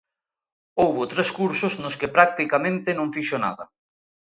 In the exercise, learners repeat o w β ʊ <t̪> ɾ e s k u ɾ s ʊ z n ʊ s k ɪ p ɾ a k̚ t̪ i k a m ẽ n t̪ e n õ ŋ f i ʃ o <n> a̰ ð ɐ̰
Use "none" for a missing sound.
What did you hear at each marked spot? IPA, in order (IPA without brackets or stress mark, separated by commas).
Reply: t̪, n